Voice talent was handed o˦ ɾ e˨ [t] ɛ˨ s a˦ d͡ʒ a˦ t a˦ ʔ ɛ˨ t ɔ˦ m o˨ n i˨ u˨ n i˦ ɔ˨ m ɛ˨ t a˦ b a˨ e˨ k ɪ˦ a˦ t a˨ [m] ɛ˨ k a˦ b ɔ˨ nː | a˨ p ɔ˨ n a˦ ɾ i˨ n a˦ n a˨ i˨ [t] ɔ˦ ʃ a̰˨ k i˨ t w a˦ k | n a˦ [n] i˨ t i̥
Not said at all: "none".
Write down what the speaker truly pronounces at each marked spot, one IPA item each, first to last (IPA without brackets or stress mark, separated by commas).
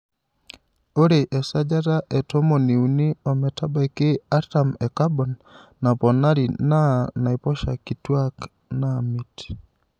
ʔ, m, p, m